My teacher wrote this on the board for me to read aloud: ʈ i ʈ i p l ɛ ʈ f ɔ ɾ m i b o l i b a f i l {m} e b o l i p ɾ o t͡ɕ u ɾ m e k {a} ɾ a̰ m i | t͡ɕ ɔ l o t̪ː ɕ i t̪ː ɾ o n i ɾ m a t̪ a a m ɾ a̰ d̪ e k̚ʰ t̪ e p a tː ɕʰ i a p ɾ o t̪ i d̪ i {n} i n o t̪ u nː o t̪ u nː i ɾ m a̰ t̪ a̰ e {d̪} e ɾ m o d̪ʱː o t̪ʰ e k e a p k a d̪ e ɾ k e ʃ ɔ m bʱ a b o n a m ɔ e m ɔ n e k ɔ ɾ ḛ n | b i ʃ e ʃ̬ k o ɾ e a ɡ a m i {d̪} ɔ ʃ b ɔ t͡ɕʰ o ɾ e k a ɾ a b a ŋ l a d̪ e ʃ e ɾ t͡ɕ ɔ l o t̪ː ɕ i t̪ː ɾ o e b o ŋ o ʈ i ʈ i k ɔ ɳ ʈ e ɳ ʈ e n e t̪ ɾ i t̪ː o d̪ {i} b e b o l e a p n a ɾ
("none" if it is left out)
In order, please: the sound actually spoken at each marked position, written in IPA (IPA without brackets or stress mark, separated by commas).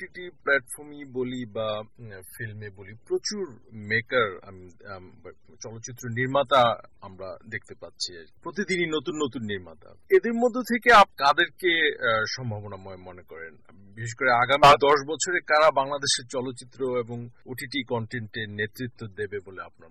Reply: m, a, n, d̪, d̪, e